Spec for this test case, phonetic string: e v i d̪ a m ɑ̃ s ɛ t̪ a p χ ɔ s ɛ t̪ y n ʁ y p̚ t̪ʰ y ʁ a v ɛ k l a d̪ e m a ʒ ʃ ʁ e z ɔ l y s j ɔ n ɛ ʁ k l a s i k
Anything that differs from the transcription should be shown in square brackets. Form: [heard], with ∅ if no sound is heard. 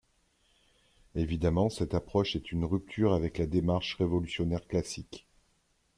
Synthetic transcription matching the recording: e v i d̪ a m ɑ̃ s ɛ t̪ a p χ ɔ [ʃ] ɛ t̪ y n ʁ y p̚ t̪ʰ y ʁ a v ɛ k l a d̪ e m a [ʁ] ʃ ʁ e [v] ɔ l y s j ɔ n ɛ ʁ k l a s i k